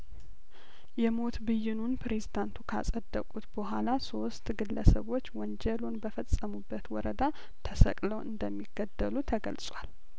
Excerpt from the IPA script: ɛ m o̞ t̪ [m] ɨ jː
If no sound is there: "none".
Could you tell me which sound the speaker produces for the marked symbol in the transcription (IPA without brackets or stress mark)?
b